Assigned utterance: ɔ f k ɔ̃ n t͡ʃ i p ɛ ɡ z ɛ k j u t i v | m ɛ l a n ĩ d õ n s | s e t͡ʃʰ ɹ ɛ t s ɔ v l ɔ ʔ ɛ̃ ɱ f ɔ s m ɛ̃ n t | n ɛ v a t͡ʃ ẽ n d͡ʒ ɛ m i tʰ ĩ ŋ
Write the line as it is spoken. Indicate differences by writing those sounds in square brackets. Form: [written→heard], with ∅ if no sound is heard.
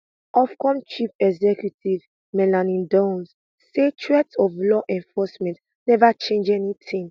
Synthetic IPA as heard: ɔ f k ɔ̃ [n→m] t͡ʃ i p ɛ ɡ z ɛ k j u t i v | m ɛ l a n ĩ d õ n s | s e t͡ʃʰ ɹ ɛ t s ɔ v l ɔ ʔ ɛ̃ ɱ f ɔ s m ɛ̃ n t | n ɛ v a t͡ʃ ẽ n d͡ʒ ɛ [m→n] i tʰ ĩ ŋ